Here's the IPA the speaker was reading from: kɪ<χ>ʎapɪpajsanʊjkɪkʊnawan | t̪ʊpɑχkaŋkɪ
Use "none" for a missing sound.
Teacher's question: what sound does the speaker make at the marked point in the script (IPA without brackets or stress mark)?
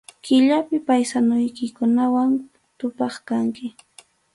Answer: none